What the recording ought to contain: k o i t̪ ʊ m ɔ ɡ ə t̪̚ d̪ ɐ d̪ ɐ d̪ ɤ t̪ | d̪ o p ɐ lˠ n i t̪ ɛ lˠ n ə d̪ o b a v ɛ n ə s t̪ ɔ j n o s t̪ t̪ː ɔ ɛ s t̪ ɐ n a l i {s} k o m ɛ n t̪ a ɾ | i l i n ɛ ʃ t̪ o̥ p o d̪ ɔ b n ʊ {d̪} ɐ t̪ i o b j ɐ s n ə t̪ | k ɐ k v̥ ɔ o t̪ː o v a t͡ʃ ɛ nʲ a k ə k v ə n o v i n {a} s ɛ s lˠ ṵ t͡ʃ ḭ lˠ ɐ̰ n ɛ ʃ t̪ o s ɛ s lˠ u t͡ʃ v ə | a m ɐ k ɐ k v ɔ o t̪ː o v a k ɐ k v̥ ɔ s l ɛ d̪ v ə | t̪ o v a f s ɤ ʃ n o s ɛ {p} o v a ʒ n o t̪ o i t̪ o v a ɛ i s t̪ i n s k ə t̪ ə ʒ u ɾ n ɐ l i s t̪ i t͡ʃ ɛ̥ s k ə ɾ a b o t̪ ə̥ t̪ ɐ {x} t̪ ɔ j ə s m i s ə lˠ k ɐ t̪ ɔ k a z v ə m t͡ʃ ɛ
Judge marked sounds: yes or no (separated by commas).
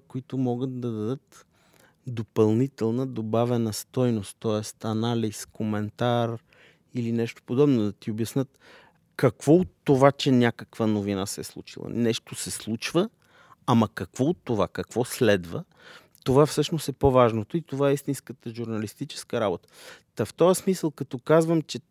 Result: yes, yes, yes, yes, no